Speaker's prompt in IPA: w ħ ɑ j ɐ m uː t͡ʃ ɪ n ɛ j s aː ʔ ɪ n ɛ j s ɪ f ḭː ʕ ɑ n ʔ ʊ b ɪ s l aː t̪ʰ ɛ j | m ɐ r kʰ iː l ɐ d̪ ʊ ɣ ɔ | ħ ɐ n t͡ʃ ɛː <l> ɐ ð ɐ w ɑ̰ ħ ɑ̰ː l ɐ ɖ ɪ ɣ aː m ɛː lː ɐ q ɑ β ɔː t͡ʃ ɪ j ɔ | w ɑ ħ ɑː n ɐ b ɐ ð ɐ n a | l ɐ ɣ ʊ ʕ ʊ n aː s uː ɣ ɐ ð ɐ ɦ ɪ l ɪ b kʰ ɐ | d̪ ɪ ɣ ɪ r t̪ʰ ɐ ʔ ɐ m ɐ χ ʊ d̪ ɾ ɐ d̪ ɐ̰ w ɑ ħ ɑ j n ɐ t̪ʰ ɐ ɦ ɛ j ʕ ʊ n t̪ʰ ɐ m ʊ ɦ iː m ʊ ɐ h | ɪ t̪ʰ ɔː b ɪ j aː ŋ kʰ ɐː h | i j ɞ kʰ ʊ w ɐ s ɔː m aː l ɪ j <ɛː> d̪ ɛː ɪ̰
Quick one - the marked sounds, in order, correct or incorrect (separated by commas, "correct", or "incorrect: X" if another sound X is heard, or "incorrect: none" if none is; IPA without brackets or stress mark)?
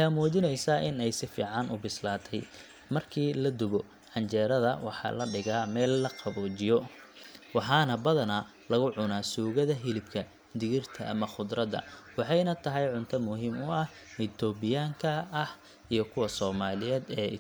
incorrect: ɾ, correct